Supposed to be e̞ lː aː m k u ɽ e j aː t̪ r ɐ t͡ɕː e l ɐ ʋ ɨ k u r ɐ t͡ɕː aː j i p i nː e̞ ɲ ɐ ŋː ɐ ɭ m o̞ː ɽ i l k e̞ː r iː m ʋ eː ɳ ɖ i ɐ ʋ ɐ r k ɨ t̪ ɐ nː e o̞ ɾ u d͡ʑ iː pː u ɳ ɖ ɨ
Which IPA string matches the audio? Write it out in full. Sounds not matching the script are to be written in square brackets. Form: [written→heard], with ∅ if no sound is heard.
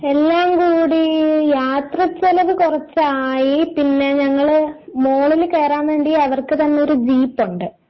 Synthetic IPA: e̞ lː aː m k [u→uː] ɽ [e→i] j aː t̪ r ɐ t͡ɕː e l ɐ ʋ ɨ k u r ɐ t͡ɕː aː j i p i nː e̞ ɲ ɐ ŋː ɐ ɭ m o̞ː [ɽ→ɭ] i l k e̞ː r [iː→aː] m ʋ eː ɳ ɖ i ɐ ʋ ɐ r k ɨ t̪ ɐ nː e o̞ ɾ u d͡ʑ iː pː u ɳ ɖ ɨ